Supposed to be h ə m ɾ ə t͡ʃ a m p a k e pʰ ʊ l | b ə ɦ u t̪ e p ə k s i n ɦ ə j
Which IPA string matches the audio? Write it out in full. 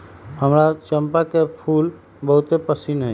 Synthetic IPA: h ə m ɾ a t͡ʃ ə m p a k e pʰ u l | b ə ɦ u t̪ e p ə s i n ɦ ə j